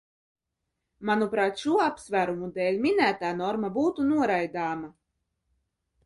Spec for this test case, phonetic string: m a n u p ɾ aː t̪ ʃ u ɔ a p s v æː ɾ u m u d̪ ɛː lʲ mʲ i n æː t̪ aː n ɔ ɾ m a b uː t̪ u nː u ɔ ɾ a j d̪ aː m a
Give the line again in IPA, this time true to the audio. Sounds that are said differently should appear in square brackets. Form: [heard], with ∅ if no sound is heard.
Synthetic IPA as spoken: m a n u p ɾ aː t̪ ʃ u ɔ a p s v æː ɾ u m u d̪ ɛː lʲ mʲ i n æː t̪ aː n ɔ ɾ m a b uː t̪ u [n] u ɔ ɾ a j d̪ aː m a